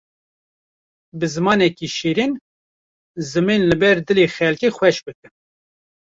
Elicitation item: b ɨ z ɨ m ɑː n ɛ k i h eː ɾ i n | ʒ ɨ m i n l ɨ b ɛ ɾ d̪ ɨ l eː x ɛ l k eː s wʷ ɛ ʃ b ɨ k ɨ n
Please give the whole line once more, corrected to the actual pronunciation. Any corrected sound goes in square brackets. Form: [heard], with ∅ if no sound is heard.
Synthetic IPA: b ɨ z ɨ m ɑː n ɛ k i [ʃ] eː ɾ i n | [z] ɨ m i n l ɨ b ɛ ɾ d̪ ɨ l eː x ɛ l k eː [x] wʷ ɛ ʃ b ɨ k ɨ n

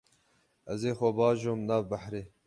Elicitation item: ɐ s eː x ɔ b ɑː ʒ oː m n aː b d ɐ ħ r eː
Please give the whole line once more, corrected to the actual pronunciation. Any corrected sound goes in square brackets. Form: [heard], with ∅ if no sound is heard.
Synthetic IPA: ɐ [z] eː x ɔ b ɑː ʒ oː m n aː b [b] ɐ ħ [ɾ] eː

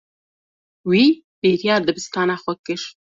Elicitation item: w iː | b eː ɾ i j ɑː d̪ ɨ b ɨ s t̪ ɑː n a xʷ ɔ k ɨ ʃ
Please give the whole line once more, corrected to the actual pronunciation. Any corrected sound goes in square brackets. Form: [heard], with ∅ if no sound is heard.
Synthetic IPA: w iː | b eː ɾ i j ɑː d̪ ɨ b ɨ s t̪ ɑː n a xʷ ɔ k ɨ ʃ

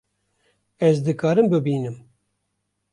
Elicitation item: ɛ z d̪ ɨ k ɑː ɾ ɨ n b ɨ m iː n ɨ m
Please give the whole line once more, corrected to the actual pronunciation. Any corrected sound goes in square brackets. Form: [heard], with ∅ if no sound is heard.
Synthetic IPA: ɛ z d̪ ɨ k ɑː ɾ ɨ [m] b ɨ [b] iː n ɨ m

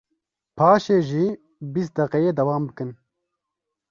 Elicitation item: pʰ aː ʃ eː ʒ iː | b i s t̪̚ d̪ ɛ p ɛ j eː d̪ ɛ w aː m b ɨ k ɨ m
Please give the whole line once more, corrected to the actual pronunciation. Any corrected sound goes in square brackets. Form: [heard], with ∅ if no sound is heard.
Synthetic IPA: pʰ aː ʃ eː ʒ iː | b i s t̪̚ d̪ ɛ [q] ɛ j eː d̪ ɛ w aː m b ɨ k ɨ [n]

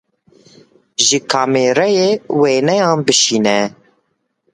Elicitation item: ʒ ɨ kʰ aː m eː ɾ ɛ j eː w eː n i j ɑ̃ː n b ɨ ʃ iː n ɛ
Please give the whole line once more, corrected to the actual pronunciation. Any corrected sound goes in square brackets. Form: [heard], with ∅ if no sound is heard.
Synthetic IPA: ʒ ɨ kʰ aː m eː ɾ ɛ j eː w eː n [ɛ] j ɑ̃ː n b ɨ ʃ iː n ɛ

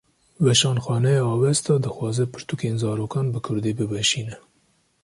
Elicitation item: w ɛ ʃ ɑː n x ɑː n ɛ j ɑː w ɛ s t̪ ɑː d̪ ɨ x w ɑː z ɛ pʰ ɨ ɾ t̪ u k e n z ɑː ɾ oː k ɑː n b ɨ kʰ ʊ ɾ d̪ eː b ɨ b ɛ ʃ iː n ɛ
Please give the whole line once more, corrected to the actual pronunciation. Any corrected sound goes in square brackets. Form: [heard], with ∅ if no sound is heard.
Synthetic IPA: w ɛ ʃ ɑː n x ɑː n ɛ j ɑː w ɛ s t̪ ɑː d̪ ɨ x w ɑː z ɛ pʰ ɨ ɾ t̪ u k e n z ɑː ɾ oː k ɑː n b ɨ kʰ ʊ ɾ d̪ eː b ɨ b ɛ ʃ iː n ɛ

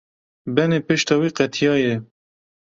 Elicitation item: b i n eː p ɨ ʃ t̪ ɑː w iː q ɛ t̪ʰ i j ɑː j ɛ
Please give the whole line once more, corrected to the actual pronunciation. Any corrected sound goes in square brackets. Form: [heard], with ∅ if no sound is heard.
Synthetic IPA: b [ɛ] n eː p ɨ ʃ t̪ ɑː w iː q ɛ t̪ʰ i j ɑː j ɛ

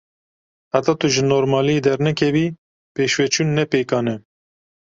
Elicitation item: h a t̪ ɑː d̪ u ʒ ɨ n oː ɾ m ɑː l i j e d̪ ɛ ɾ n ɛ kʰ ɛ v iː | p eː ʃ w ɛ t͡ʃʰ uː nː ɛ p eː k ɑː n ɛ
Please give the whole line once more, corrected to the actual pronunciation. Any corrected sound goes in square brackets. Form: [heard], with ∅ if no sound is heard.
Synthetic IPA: h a t̪ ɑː [t̪] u ʒ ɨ n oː ɾ m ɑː l i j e d̪ ɛ ɾ n ɛ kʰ ɛ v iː | p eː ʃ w ɛ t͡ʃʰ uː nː ɛ p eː k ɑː n ɛ

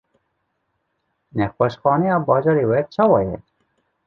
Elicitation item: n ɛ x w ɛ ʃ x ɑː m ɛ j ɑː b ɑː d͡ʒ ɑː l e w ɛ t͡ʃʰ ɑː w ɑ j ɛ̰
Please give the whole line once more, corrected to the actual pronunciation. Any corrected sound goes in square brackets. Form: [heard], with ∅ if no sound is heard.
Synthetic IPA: n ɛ x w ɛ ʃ x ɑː [n] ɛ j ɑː b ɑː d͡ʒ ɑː [ɾ] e w ɛ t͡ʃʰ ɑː w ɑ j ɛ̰

